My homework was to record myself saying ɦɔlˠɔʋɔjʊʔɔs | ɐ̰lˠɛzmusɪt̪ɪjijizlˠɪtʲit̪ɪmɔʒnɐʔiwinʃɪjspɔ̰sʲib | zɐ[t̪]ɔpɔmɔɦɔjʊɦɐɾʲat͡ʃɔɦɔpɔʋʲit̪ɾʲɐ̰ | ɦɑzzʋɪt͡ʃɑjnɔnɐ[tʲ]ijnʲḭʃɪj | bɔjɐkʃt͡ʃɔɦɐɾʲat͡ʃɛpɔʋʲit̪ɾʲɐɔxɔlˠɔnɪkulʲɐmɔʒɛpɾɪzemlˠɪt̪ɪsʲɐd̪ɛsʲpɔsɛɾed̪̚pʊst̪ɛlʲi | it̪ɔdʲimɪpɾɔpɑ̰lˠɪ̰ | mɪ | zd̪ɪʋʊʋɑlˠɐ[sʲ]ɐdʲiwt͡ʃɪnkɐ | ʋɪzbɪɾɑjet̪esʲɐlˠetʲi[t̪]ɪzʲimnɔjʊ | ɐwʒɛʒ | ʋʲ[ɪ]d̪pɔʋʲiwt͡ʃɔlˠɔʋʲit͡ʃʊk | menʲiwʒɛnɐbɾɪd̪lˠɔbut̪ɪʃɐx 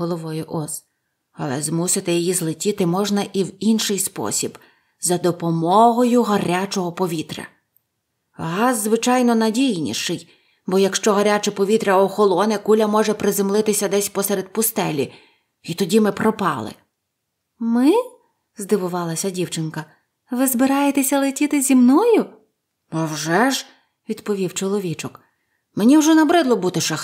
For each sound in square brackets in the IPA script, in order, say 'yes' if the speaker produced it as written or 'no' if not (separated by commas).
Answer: no, no, yes, yes, no